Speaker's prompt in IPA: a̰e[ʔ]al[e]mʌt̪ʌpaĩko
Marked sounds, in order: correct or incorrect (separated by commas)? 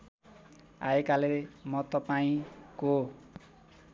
incorrect, correct